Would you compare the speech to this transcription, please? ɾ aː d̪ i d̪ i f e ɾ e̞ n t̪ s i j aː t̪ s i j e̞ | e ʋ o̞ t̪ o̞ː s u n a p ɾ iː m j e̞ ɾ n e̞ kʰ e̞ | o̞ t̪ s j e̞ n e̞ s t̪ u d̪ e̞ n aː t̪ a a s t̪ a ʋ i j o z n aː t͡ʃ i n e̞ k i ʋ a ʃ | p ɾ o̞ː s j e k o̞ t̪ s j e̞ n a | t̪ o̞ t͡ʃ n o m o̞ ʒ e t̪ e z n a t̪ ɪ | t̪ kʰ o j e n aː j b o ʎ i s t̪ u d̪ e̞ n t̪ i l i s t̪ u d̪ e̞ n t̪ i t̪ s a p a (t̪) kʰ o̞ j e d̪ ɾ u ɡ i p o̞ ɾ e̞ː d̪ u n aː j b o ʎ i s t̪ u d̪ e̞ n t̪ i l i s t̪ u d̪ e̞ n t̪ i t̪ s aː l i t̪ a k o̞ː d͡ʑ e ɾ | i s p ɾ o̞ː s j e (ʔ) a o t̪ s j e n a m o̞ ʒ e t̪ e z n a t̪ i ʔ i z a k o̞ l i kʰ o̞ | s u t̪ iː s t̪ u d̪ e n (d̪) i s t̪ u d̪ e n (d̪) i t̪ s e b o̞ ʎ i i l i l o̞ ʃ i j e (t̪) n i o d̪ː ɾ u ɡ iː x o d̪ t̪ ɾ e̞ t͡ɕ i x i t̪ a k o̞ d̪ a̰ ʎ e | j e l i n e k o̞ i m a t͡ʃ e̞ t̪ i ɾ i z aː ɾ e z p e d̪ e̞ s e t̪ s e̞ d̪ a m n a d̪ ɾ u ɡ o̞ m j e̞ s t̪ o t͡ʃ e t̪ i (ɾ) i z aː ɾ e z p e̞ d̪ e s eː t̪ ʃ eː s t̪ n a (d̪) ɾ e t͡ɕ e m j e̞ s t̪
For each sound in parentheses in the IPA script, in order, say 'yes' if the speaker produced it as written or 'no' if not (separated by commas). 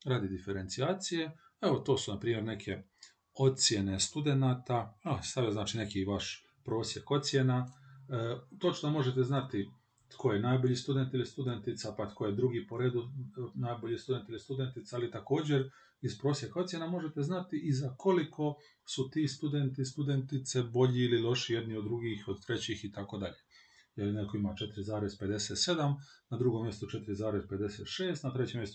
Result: yes, no, no, no, no, yes, no